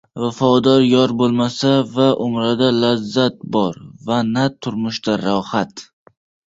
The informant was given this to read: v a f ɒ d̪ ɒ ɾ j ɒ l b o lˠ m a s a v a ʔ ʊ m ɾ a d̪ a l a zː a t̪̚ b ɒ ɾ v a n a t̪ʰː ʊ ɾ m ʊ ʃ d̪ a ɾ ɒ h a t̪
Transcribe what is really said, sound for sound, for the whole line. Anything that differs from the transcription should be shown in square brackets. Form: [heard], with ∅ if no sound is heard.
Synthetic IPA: v a f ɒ d̪ ɒ ɾ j ɒ [ɾ] b o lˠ m a s a v a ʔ ʊ m ɾ a d̪ a l a zː a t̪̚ b ɒ ɾ v a n a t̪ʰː ʊ ɾ m ʊ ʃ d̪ a ɾ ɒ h a t̪

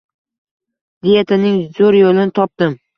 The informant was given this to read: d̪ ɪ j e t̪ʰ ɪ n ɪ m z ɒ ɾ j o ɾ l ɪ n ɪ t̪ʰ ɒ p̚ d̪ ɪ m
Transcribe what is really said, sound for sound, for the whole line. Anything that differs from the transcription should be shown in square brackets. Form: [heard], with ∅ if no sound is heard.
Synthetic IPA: d̪ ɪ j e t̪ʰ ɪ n ɪ [ŋ] z [o] ɾ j o [∅] l ɪ n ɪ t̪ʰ ɒ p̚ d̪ ɪ m

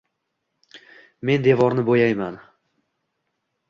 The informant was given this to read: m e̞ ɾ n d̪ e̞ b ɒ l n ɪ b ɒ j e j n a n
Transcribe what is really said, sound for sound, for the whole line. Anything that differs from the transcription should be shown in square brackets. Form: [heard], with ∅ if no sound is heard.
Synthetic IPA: m e̞ [∅] n d̪ e̞ [v] ɒ [ɾ] n ɪ b [o] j [a] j [m] a n

